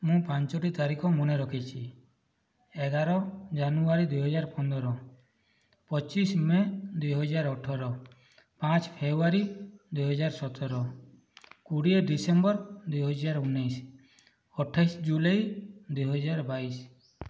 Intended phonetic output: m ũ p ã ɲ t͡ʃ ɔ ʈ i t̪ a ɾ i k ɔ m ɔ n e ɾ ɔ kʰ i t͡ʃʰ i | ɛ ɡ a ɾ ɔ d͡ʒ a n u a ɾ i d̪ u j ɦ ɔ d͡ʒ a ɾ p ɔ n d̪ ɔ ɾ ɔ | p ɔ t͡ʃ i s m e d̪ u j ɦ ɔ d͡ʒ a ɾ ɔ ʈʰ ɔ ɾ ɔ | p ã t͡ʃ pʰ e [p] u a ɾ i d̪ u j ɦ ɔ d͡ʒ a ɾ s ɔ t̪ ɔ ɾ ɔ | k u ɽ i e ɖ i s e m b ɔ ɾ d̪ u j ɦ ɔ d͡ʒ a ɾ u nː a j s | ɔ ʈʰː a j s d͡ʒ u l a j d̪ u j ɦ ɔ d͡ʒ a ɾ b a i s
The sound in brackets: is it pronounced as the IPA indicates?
no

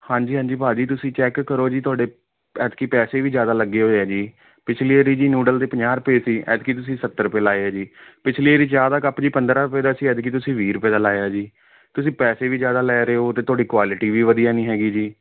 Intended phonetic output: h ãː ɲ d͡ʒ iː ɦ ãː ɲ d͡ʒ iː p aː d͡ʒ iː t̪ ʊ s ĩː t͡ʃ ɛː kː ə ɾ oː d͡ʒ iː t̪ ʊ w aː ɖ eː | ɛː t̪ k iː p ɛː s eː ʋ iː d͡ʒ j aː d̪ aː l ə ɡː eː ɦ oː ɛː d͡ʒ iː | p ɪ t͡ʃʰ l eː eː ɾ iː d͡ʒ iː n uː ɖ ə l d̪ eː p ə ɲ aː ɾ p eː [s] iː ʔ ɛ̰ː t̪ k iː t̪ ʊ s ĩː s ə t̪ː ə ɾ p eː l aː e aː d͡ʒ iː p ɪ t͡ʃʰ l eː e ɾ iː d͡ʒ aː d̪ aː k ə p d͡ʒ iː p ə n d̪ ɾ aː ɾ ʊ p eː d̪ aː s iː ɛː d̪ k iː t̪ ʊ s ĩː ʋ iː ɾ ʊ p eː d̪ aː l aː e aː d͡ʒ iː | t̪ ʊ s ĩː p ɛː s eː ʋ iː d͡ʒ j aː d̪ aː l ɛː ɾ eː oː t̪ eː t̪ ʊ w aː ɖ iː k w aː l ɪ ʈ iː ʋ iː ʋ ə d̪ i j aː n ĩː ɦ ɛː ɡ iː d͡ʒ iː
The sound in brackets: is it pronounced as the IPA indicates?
yes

